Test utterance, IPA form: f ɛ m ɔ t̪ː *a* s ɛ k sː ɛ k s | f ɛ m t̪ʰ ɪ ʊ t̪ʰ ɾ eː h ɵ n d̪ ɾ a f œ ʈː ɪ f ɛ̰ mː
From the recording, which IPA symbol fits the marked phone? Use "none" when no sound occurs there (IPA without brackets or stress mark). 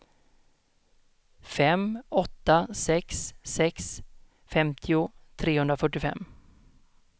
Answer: a